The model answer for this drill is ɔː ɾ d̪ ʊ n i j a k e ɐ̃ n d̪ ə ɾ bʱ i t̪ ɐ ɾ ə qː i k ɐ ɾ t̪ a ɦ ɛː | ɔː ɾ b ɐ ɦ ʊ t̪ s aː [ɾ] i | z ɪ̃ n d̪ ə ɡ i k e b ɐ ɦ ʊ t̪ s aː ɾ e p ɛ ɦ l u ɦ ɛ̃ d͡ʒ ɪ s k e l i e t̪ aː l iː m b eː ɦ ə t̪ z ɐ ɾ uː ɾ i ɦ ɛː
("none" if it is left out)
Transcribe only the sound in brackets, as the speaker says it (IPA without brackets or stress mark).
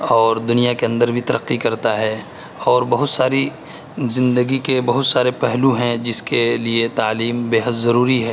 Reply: ɾ